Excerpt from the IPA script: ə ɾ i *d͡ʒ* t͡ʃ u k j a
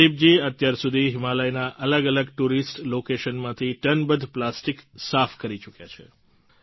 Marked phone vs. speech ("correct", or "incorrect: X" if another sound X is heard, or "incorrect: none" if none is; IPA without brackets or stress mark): incorrect: none